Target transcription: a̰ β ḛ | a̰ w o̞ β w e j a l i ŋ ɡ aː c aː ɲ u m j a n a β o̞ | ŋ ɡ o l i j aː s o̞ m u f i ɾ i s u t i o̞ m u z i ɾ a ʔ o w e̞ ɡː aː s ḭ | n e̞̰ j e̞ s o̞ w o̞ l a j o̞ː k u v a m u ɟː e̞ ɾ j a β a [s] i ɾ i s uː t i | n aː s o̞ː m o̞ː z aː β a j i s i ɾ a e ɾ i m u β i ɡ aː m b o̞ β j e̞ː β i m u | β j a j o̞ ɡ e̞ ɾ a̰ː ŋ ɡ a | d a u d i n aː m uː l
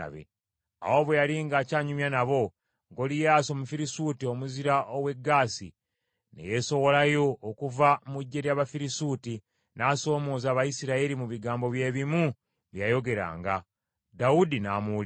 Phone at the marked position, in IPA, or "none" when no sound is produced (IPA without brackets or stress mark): f